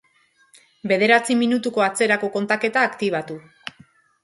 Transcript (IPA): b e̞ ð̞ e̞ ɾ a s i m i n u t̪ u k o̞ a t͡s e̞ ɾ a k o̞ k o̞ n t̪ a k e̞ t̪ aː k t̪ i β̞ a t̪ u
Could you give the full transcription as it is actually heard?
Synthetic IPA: b e̞ ð̞ e̞ ɾ a t͡s i m i n u t̪ u k o̞ a t͡s e̞ ɾ a k o̞ k o̞ n t̪ a k e̞ t̪ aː k t̪ i β̞ a t̪ u

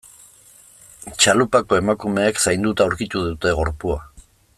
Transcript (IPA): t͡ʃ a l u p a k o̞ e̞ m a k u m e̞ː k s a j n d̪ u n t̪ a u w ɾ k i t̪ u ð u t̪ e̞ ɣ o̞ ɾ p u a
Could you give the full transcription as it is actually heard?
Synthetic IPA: t͡ʃ a l u p a k o̞ e̞ m a k u m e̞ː k s a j n d̪ u t̪ a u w ɾ k i t̪ u ð u t̪ e̞ ɣ o̞ ɾ p u a

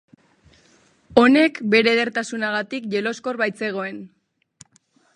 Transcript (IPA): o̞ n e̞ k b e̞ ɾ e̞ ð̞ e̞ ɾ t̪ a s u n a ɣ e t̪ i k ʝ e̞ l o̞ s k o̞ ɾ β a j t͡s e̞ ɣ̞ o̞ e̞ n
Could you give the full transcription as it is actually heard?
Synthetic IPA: o̞ n e̞ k b e̞ ɾ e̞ ð̞ e̞ ɾ t̪ a s u n a ɣ a t̪ i k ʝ e̞ l o̞ s k o̞ ɾ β a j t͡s e̞ ɣ̞ o̞ e̞ n

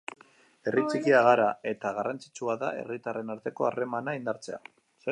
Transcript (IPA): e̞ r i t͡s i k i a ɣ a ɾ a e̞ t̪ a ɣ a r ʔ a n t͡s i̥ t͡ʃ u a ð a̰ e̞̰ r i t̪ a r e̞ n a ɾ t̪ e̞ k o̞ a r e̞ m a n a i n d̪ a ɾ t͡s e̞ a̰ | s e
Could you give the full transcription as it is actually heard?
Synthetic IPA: e̞ r i t͡s i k i a ɣ a ɾ a e̞ t̪ a ɣ a r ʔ a n t͡s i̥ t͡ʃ u a ð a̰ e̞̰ r i t̪ a r e̞ n a ɾ t̪ e̞ k o̞ a r e̞ m a n a i n d̪ a ɾ t͡s e̞ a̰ | s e

